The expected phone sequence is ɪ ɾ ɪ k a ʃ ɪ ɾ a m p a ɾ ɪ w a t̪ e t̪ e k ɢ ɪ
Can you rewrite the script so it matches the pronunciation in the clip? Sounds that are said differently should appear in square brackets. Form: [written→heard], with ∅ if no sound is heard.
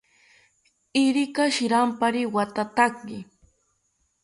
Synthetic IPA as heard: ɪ ɾ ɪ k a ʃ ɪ ɾ a m p a ɾ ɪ w a t̪ [e→a] t̪ [e→a] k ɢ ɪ